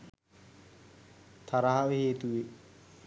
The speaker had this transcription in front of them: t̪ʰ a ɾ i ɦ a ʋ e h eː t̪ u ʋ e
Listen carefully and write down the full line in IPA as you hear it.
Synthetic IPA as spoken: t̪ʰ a ɾ a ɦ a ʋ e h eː t̪ u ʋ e